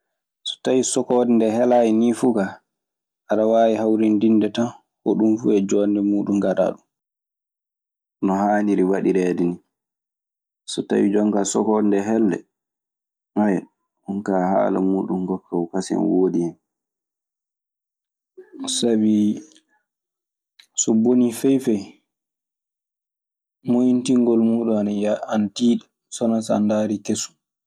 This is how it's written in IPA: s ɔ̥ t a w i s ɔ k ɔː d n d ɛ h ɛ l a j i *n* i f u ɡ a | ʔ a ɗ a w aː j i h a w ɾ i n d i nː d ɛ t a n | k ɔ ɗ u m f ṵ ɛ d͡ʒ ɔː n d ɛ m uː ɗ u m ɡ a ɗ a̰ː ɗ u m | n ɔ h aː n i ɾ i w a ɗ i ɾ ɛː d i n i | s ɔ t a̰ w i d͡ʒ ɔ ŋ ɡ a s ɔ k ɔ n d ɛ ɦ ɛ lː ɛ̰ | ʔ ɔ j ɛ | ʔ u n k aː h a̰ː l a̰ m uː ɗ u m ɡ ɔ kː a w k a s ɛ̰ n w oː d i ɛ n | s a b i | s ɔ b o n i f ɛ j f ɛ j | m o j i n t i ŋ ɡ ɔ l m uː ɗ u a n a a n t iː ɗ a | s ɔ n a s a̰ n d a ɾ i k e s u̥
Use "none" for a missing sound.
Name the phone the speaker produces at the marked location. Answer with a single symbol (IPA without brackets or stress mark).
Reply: n